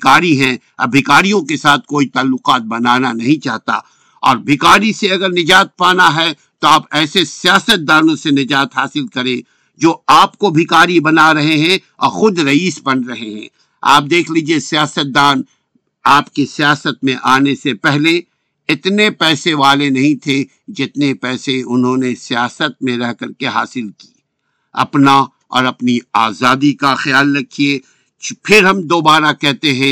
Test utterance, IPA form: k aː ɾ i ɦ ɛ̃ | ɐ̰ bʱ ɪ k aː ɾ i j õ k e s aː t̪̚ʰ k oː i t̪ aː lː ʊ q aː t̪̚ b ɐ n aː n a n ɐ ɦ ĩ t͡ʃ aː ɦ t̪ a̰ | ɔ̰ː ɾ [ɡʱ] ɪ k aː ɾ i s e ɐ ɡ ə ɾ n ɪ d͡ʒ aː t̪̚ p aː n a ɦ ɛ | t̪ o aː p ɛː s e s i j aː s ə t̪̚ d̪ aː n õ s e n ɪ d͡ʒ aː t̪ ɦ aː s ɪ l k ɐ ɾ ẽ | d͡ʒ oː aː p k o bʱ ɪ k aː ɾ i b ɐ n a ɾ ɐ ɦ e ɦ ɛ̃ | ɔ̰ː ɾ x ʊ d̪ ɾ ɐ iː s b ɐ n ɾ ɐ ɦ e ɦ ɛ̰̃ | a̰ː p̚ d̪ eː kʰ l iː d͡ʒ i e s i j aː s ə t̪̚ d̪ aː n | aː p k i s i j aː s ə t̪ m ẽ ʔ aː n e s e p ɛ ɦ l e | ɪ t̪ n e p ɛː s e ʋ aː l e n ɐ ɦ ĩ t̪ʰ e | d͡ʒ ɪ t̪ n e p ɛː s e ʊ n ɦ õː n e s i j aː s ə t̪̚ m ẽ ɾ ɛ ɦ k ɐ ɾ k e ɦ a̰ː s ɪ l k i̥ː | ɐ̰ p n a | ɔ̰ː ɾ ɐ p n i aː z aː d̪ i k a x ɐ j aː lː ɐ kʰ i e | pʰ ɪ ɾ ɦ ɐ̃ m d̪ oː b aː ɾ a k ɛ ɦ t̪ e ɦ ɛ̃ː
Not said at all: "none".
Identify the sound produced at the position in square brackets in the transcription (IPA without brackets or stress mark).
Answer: bʱ